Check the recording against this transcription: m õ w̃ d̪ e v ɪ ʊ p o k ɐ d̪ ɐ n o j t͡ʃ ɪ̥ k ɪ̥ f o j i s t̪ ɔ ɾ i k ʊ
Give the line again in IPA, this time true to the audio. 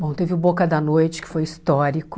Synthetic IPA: b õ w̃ t̪ e v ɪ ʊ b o k ɐ d̪ ɐ n o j t͡ʃ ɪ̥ k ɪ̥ f o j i s t̪ ɔ ɾ i k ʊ